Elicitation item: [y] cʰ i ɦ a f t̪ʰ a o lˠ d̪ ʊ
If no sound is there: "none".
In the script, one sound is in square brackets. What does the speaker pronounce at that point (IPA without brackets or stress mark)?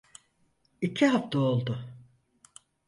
i